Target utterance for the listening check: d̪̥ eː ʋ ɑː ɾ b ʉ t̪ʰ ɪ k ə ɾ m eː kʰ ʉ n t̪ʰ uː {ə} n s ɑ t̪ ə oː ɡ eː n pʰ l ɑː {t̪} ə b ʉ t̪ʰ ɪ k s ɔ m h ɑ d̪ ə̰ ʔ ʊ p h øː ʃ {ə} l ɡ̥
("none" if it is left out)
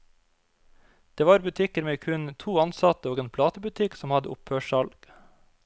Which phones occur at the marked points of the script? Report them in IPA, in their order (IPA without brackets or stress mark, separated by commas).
ɑ, t̪, ɑ